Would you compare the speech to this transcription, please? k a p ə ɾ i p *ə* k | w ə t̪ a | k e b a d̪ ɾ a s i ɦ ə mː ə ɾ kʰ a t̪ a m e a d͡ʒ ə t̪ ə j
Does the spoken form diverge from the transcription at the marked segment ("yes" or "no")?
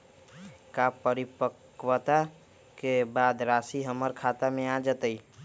no